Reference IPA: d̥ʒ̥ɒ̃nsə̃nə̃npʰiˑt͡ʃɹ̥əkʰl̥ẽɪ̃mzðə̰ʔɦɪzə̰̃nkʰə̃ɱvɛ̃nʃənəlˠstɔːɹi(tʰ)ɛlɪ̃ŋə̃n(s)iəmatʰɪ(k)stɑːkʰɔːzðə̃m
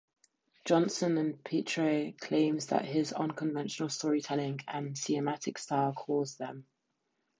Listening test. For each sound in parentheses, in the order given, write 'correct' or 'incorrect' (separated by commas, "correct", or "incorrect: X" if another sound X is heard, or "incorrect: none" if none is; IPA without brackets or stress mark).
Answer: correct, correct, correct